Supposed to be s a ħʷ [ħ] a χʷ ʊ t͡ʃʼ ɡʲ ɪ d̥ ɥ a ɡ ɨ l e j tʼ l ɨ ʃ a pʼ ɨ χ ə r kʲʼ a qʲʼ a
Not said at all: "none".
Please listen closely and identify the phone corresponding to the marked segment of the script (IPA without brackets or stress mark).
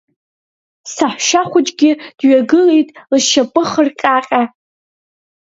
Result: ʃ